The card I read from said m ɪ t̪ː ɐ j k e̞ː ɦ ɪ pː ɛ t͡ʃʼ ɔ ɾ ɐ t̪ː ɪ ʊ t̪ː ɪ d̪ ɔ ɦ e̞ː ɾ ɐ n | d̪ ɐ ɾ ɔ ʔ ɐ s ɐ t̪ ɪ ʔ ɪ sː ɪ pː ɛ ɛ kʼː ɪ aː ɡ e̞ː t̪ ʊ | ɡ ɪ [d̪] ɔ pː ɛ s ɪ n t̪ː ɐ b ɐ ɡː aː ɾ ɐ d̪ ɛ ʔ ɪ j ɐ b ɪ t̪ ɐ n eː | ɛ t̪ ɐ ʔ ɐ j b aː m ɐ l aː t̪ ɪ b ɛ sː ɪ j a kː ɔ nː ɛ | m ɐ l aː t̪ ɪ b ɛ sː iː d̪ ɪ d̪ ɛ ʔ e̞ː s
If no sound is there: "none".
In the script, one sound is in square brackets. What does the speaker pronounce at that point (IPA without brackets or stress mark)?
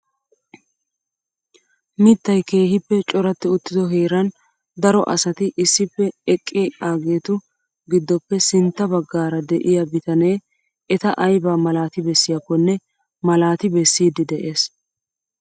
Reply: d̪ː